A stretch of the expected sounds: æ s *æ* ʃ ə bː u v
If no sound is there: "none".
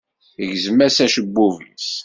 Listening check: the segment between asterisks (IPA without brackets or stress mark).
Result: æ